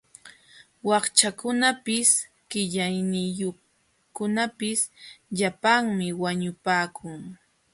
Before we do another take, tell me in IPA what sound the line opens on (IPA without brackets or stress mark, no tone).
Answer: w